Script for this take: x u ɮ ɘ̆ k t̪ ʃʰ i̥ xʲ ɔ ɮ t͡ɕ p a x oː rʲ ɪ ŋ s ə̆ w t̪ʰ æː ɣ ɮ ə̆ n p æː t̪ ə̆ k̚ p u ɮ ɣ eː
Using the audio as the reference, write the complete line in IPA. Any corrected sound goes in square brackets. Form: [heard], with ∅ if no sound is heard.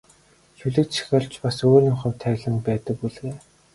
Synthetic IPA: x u ɮ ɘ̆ k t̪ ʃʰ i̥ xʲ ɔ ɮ t͡ɕ p a [s] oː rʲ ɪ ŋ [χ] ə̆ w t̪ʰ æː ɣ ɮ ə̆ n p æː t̪ ə̆ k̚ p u ɮ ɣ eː